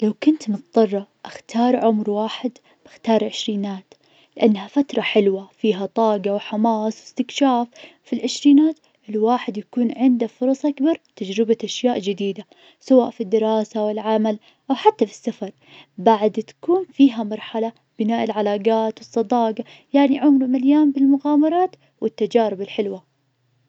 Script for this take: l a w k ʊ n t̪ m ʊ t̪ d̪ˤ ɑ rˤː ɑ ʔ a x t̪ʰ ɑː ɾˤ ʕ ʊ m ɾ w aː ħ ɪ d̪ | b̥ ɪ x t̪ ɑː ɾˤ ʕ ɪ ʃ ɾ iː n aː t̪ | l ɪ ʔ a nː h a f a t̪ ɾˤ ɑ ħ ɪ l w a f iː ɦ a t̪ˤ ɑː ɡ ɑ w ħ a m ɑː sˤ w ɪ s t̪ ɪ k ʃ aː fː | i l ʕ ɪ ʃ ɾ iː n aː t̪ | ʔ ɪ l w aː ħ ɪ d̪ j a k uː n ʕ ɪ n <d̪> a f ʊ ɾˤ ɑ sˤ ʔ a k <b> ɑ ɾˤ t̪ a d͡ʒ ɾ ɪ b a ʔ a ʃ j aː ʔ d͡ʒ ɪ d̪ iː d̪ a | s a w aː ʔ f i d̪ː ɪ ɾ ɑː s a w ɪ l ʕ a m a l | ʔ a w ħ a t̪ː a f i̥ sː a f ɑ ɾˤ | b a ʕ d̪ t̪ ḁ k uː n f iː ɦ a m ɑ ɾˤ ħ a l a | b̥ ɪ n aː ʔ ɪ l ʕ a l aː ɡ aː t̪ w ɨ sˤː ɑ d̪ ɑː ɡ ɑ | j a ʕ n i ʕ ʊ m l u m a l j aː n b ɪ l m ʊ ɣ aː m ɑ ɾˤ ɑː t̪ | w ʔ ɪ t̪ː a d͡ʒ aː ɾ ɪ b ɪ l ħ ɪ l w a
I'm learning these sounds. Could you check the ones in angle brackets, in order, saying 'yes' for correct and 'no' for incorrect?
yes, yes

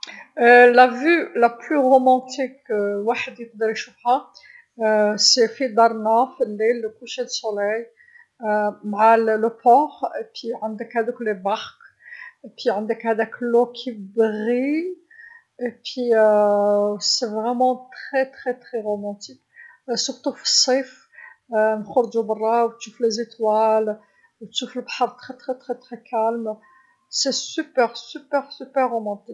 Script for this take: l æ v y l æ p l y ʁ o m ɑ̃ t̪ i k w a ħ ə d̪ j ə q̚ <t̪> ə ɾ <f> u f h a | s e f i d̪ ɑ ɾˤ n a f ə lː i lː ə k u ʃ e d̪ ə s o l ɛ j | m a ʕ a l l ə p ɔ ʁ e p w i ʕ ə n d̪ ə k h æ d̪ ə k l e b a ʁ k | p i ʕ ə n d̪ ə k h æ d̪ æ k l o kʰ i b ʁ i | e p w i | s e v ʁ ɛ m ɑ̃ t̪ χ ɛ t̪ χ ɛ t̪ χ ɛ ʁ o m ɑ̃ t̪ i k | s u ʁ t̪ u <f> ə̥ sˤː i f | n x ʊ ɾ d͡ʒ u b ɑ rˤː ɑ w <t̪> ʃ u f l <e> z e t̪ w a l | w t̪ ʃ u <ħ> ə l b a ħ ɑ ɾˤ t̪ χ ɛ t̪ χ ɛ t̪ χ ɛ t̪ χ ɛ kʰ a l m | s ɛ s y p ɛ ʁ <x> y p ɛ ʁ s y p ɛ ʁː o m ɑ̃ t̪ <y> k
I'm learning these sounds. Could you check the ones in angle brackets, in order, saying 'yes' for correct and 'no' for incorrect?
no, no, yes, yes, yes, no, no, no

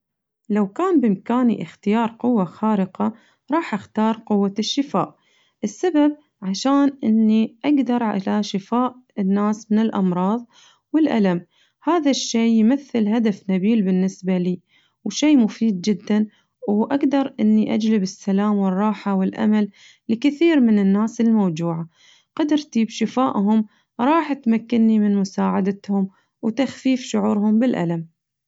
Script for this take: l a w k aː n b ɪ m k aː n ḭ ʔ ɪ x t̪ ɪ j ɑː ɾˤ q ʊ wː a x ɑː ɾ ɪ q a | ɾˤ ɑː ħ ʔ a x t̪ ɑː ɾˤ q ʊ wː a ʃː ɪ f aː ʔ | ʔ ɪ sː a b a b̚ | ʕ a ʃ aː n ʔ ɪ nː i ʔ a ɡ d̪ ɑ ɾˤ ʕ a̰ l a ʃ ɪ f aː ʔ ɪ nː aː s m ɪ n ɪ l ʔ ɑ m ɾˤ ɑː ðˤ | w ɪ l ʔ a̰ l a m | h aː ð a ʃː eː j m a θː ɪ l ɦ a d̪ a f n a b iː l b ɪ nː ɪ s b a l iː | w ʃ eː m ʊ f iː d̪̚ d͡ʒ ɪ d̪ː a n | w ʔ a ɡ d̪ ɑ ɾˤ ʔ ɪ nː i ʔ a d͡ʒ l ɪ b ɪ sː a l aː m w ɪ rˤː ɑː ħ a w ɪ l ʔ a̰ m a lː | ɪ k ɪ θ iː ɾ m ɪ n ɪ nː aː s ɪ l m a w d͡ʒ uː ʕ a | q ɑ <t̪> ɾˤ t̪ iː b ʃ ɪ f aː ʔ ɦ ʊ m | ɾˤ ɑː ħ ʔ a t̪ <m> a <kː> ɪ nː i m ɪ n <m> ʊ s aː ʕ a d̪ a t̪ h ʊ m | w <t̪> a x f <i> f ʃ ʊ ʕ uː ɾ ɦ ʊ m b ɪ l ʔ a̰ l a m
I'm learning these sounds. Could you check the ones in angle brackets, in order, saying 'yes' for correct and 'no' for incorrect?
no, yes, yes, yes, yes, no

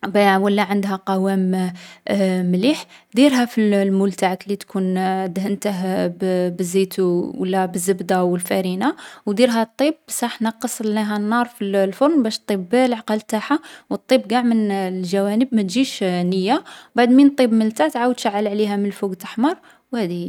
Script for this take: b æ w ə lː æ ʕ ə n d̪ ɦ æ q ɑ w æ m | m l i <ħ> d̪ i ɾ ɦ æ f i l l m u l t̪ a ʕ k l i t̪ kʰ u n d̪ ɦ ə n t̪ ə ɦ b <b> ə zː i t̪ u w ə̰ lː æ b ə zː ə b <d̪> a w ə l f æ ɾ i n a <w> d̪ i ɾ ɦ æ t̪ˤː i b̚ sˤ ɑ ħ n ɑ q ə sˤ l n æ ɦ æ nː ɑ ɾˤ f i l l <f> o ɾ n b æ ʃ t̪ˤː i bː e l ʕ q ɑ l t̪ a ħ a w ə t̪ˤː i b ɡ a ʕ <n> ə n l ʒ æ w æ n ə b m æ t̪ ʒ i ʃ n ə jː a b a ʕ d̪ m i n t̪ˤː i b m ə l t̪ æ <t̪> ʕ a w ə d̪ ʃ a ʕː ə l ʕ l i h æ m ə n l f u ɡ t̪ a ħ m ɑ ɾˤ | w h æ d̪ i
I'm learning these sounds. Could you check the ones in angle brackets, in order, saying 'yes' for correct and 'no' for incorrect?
yes, yes, yes, yes, yes, no, yes

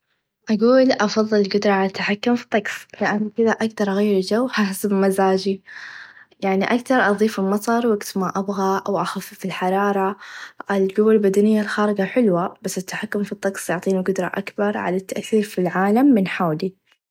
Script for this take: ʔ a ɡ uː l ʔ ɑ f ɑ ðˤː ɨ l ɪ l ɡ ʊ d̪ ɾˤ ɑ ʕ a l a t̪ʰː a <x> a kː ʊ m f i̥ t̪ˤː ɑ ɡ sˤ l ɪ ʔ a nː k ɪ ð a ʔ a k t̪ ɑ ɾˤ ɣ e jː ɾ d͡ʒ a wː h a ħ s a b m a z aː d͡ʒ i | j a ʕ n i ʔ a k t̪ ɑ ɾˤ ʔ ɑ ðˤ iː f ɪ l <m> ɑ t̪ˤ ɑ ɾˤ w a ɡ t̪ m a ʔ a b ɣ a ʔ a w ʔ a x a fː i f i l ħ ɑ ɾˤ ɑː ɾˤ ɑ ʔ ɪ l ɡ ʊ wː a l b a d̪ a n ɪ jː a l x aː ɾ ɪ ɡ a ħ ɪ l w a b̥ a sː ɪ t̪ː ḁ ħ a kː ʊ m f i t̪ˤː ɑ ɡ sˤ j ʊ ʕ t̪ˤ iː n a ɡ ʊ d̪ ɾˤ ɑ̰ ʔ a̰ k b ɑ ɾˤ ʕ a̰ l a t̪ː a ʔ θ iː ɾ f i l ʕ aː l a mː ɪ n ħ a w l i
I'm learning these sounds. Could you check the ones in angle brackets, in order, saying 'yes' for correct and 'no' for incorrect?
no, yes

